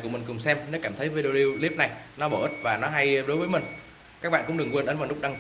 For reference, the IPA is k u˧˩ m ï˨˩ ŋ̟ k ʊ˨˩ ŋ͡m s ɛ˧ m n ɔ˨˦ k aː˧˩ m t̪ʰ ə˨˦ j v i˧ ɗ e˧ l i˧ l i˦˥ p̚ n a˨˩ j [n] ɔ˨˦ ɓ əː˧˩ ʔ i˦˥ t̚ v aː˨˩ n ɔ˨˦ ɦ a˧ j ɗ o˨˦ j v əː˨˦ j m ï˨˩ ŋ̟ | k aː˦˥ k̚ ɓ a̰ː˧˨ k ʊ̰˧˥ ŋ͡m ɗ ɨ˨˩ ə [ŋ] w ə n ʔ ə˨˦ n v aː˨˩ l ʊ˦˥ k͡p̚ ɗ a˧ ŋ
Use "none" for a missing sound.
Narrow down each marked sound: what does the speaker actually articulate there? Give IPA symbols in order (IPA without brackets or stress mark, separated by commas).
n, ŋ